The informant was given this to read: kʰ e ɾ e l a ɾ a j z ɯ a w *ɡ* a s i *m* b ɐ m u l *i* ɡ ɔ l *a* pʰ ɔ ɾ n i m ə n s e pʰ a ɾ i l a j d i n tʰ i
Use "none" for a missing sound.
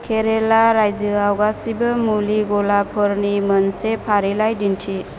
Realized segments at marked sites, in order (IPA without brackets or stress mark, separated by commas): ɡ, none, i, a